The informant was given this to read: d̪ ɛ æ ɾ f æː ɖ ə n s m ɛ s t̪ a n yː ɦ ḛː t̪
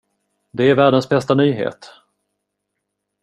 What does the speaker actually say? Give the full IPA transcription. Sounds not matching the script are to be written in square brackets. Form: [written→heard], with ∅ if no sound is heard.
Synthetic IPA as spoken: d̪ ɛ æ ɾ [f→v] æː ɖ ə n s [m→b] ɛ s t̪ a n yː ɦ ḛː t̪